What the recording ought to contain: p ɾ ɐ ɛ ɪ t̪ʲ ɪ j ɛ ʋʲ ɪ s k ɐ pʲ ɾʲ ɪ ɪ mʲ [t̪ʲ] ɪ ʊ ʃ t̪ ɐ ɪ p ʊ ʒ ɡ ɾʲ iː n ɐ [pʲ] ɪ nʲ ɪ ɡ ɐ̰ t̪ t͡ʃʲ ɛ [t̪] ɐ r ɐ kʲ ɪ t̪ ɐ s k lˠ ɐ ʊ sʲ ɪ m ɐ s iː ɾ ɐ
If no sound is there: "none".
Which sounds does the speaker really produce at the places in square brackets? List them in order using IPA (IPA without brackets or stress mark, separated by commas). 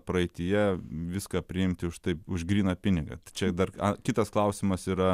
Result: t̪ʲ, pʲ, d̪